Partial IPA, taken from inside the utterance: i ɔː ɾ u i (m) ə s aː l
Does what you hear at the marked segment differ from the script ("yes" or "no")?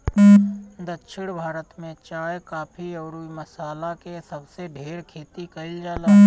no